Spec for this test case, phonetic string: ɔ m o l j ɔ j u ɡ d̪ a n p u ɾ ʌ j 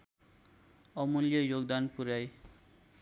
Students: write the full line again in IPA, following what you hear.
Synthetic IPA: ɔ m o l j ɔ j o ɡ d̪ a n p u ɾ a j